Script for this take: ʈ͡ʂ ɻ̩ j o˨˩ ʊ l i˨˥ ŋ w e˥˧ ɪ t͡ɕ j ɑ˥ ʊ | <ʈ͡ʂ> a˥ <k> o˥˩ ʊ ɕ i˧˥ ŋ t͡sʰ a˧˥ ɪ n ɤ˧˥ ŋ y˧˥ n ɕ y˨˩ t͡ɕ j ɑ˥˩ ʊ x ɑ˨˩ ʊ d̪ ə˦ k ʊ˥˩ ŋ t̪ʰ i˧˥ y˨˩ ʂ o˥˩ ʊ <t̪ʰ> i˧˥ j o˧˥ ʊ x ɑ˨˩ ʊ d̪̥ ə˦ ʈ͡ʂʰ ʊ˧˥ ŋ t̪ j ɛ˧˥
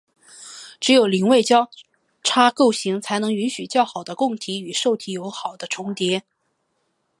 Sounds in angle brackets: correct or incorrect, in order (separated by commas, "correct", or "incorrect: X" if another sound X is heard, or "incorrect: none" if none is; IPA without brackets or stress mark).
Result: incorrect: ʈ͡ʂʰ, correct, correct